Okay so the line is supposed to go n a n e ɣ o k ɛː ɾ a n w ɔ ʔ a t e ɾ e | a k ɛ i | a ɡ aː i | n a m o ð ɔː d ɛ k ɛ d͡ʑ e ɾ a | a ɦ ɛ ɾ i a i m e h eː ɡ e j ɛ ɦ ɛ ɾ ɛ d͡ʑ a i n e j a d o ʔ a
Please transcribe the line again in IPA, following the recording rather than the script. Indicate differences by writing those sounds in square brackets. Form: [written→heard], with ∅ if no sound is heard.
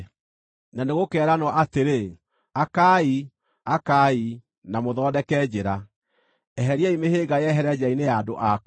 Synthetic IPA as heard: n a n e ɣ o k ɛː ɾ a n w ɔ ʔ a t e ɾ e | a k [ɛ→a] i | a [ɡ→k] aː i | n a m o ð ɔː d ɛ k ɛ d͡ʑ e ɾ a | [a→ɛ] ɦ ɛ ɾ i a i m e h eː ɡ [e→a] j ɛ ɦ ɛ ɾ ɛ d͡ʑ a i n e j a d o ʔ a